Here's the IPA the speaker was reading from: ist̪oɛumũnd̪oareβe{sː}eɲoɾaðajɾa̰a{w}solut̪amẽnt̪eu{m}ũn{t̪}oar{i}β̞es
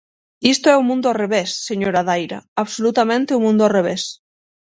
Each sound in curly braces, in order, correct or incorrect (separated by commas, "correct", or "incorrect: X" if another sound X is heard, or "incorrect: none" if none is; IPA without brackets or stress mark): correct, incorrect: β, correct, incorrect: d̪, incorrect: e